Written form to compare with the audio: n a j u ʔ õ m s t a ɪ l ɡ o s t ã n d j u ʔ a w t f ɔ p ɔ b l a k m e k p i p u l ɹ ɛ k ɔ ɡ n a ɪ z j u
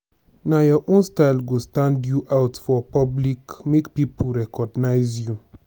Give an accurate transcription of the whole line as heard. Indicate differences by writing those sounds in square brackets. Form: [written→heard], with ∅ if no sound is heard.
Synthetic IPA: n a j [u→ɔ] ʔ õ [m→n] s t a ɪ l ɡ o s t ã n d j u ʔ a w t f ɔ p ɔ b l [a→i] k m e k p i p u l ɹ ɛ k ɔ ɡ n a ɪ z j u